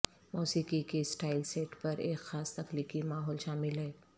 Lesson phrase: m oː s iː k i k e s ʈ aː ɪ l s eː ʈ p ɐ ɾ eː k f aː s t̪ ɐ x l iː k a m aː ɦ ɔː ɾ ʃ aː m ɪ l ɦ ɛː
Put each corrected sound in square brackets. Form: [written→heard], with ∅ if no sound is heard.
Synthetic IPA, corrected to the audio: m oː s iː k i k e s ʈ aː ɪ l s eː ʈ p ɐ ɾ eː k [f→x] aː s t̪ ɐ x l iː k [a→i] m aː ɦ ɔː [ɾ→l] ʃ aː m ɪ l ɦ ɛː

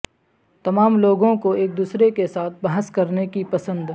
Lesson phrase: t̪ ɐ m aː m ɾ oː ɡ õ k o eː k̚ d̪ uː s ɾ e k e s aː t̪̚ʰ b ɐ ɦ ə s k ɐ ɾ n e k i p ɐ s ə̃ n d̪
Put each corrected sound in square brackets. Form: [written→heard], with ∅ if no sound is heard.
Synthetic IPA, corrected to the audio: t̪ ɐ m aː m [ɾ→l] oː ɡ õ k o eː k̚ d̪ uː s ɾ e k e s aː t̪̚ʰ b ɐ ɦ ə s k ɐ ɾ n e k i p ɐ s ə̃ n d̪

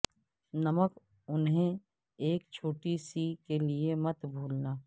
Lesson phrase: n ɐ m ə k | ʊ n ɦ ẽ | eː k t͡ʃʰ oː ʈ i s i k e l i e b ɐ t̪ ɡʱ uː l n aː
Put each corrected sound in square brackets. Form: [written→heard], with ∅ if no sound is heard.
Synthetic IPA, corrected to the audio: n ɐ m ə k | ʊ n ɦ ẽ | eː k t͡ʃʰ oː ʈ i s i k e l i e [b→m] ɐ t̪ [ɡʱ→bʱ] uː l n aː

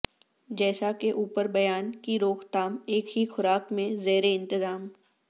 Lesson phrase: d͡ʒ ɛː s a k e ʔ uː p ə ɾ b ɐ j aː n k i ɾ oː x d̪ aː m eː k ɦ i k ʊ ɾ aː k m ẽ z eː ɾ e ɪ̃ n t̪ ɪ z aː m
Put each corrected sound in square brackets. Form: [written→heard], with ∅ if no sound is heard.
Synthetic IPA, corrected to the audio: d͡ʒ ɛː s a k e ʔ uː p ə ɾ b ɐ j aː n k i ɾ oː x [d̪→t̪] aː m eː k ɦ i [k→x] ʊ ɾ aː k m ẽ z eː ɾ e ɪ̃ n t̪ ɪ z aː m

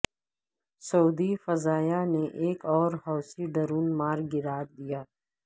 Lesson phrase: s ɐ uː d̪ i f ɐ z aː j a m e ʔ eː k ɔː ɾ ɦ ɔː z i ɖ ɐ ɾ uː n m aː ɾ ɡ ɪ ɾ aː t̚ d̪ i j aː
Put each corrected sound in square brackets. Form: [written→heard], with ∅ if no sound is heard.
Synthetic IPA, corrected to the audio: s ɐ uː d̪ i f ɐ z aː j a [m→n] e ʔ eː k ɔː ɾ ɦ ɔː [z→s] i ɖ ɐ ɾ uː n m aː ɾ ɡ ɪ ɾ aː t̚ d̪ i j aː

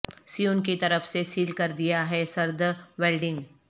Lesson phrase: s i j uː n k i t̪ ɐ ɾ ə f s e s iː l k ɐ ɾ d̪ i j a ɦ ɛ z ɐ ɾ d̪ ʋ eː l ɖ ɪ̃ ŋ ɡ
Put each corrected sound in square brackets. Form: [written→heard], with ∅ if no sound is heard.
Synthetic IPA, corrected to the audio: s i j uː n k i t̪ ɐ ɾ ə f s e s iː l k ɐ ɾ d̪ i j a ɦ ɛ [z→s] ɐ ɾ d̪ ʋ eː l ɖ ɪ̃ ŋ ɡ

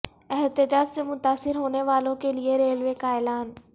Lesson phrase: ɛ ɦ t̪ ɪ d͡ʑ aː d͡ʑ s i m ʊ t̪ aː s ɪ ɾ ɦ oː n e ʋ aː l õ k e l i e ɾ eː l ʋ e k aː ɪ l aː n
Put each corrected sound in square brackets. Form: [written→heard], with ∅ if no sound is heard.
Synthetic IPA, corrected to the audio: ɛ ɦ t̪ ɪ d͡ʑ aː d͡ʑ s [i→e] m ʊ t̪ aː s ɪ ɾ ɦ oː n e ʋ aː l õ k e l i e ɾ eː l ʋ e k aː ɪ l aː n

